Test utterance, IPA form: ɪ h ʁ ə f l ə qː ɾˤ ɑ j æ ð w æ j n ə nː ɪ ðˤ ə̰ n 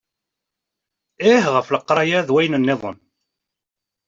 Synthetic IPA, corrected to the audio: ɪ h ʁ ə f l ə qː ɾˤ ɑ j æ ð w æ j n ə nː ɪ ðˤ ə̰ n